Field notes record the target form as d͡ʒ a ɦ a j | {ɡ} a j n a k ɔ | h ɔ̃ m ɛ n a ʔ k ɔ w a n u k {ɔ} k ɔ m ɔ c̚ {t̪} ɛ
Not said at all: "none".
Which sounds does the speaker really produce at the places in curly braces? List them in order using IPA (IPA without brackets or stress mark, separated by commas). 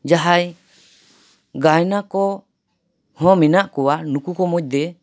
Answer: ɡ, u, d̪